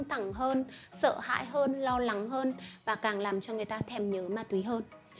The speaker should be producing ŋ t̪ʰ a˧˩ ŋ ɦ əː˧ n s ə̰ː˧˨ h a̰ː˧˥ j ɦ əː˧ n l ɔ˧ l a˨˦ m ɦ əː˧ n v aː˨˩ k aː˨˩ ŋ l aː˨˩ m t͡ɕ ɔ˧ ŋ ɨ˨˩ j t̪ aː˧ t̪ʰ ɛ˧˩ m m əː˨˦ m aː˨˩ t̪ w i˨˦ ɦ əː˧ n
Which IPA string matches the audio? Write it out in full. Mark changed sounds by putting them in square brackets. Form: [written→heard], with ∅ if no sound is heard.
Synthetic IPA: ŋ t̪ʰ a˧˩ ŋ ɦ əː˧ n s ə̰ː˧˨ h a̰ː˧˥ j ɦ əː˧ n l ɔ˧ l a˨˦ [m→ŋ] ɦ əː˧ n v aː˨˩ k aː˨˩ ŋ l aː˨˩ m t͡ɕ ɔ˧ ŋ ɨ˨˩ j t̪ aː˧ t̪ʰ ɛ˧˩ m [m→ɲ] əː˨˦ m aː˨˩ t̪ w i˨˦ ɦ əː˧ n